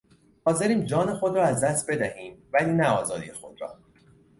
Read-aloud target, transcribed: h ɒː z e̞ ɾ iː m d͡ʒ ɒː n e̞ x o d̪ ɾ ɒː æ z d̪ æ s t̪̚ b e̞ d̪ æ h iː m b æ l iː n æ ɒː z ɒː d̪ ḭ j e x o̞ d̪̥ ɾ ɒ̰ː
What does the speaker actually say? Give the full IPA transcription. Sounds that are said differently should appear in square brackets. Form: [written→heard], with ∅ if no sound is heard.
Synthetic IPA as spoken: h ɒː z e̞ ɾ iː m d͡ʒ ɒː n e̞ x o d̪ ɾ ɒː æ z d̪ æ s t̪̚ b e̞ d̪ æ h iː m [b→v] æ l iː n æ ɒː z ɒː d̪ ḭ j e x o̞ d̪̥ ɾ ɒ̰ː